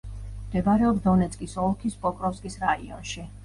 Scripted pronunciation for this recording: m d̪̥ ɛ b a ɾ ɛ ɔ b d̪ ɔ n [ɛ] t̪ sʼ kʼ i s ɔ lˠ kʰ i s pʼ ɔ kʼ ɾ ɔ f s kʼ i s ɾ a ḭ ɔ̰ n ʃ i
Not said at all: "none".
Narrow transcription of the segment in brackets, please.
ɛ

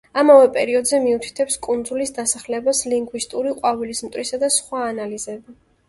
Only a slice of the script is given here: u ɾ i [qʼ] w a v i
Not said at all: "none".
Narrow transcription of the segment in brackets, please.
qʼ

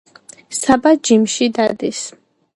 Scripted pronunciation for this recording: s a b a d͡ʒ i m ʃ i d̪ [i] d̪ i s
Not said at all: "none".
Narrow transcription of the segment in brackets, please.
a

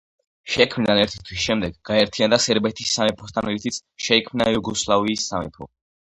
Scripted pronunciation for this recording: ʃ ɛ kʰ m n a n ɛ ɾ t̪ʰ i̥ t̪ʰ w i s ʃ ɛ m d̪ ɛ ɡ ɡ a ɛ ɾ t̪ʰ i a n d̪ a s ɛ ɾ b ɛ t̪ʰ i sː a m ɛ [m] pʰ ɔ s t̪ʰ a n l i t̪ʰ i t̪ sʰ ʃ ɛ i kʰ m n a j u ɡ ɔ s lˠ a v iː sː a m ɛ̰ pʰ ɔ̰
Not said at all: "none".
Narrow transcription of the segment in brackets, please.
none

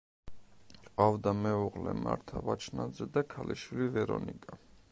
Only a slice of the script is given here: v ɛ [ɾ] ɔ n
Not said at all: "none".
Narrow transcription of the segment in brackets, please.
ɾ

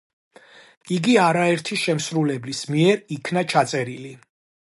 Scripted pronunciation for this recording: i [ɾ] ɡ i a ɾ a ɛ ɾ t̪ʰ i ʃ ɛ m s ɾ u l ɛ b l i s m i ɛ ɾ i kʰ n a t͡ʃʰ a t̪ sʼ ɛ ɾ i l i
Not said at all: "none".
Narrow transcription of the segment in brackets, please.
none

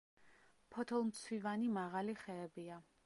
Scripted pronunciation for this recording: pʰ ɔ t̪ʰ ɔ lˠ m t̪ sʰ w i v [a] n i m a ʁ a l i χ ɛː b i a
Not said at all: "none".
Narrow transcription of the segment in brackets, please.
a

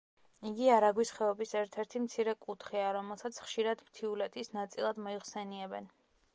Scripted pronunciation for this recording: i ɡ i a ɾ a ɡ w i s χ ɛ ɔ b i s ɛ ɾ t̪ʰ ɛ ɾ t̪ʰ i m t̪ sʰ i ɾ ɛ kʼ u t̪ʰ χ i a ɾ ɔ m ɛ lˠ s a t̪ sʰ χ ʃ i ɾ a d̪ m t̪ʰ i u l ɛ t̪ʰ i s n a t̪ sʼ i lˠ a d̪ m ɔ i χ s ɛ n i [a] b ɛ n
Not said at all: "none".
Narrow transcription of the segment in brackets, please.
ɛ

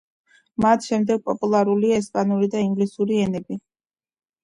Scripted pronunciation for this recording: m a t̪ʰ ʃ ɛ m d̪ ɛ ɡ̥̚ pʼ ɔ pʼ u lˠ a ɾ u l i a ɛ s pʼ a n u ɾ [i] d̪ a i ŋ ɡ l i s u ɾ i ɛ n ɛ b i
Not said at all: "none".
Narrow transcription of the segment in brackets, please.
i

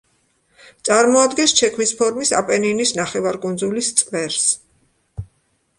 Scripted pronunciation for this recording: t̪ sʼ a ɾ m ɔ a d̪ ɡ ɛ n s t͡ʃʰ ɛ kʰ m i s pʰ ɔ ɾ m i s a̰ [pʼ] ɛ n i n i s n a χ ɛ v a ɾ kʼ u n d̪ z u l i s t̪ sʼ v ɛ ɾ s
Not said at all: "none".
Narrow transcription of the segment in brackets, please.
pʼ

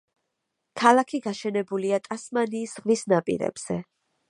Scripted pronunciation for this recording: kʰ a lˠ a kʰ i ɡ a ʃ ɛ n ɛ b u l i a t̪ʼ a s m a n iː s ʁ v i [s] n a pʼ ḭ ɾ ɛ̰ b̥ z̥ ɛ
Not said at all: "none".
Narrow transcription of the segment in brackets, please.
s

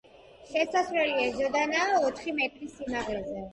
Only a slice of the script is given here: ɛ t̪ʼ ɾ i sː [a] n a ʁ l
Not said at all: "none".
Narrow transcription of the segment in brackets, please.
i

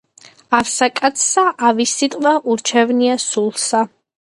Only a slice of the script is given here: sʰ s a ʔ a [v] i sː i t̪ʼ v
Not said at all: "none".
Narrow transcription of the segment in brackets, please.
v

